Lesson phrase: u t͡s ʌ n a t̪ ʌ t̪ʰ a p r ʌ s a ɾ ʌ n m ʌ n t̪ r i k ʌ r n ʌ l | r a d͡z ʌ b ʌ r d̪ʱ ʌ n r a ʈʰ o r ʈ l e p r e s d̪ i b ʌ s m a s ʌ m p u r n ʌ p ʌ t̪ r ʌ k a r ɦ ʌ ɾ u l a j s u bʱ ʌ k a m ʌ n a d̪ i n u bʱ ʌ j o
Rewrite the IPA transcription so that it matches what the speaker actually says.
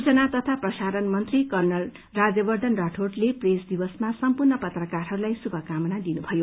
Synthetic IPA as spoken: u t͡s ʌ n a t̪ ʌ t̪ʰ a p r ʌ s a ɾ ʌ n m ʌ n t̪ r i k ʌ r n ʌ l | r a d͡z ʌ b ʌ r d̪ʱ ʌ n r a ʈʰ o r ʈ l e p r e s d̪ i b ʌ s m a s ʌ m p u r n ʌ p ʌ t̪ r ʌ k a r ɦ ʌ ɾ u l a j s u bʱ ʌ k a m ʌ n a d̪ i n u bʱ ʌ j o